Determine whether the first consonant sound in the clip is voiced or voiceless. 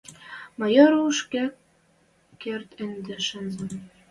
voiced